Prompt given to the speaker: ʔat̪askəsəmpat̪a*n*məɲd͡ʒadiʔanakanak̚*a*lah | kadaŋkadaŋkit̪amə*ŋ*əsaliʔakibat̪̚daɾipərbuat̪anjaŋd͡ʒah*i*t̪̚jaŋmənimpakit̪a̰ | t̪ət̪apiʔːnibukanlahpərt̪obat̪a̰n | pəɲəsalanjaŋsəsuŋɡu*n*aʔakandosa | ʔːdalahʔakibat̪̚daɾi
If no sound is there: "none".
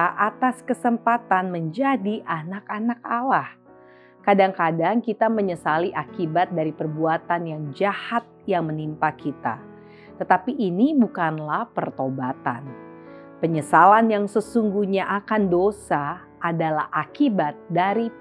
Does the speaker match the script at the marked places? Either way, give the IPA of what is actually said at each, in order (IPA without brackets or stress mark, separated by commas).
n, a, ɲ, a, ɲ